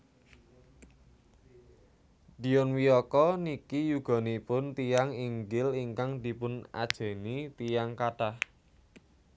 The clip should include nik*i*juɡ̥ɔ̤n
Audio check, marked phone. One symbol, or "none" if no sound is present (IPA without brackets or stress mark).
i